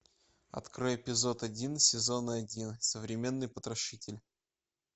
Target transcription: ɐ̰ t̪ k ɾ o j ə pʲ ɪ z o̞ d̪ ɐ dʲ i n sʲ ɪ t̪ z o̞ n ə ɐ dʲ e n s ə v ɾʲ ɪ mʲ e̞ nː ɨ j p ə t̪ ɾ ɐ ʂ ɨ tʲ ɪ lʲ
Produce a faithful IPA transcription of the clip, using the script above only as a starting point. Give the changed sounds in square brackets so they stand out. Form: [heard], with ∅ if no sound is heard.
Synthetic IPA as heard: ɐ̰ t̪ k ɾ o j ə pʲ ɪ z o̞ [t̪] ɐ dʲ i n sʲ ɪ [∅] z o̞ n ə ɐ dʲ [i] n s ə v ɾʲ ɪ mʲ e̞ nː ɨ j p ə t̪ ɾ ɐ ʂ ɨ tʲ ɪ lʲ